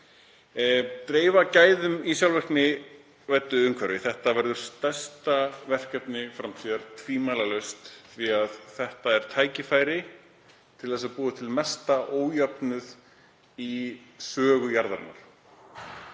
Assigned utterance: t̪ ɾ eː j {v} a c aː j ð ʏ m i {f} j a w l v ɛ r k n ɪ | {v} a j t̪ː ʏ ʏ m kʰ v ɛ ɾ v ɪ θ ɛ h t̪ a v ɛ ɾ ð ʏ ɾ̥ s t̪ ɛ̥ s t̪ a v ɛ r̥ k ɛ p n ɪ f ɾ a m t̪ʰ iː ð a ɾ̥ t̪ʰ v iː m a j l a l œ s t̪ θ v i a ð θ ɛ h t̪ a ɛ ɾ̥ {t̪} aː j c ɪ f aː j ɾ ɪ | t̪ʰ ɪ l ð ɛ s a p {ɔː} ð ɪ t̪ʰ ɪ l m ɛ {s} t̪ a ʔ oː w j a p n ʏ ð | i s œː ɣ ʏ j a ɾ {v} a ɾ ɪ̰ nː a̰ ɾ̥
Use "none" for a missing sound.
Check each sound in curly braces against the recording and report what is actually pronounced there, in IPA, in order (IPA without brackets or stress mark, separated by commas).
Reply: v, s, v, t̪ʰ, uː, s, ð